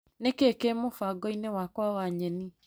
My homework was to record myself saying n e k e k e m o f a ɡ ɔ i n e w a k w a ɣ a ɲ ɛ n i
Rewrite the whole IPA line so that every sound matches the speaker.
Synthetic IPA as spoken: n e k e k e m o f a ɡ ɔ i n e w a k w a w a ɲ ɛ n i